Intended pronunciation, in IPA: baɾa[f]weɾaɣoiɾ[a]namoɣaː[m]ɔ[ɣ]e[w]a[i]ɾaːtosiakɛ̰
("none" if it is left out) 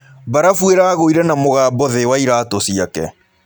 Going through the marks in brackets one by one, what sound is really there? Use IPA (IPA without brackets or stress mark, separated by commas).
f, ɛ, b, ð, w, i